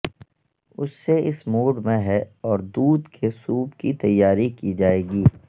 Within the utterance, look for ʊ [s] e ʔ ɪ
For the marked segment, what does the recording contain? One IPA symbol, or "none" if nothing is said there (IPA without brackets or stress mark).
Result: sː